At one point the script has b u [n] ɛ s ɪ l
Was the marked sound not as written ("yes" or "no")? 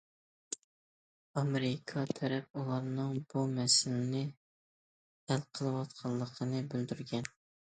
yes